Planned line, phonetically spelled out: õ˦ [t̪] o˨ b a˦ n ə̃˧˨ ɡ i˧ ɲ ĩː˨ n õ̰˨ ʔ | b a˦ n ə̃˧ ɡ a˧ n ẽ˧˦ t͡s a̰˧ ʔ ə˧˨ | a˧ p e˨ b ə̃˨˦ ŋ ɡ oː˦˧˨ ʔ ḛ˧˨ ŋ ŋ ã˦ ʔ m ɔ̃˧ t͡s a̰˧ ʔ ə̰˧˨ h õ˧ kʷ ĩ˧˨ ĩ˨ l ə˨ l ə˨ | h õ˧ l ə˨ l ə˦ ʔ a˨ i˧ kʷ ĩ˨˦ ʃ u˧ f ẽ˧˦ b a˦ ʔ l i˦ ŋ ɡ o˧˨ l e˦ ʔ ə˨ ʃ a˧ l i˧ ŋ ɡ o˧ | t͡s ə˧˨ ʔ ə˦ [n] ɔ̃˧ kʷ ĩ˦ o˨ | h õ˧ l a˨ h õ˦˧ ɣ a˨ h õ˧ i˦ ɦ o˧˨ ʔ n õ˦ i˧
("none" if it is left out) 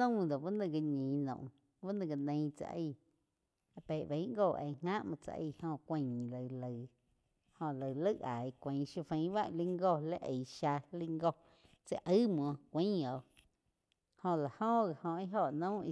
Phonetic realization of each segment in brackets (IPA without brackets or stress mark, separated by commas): d̪, m